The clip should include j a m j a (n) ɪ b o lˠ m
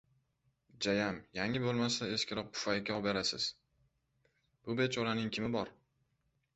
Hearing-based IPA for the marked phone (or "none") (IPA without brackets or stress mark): ŋ